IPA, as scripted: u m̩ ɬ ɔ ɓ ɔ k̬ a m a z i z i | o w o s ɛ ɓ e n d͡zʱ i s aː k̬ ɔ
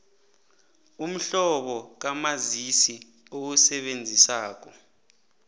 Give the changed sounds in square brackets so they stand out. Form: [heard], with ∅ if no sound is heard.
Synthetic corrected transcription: u m̩ ɬ ɔ ɓ ɔ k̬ a m a z i [s] i | o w [u] s ɛ ɓ e n d͡zʱ i s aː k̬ ɔ